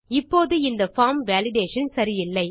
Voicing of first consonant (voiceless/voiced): voiceless